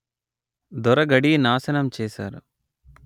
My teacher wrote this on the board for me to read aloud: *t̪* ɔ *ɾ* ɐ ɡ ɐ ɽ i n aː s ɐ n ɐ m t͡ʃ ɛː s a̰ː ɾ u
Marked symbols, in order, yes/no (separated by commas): no, yes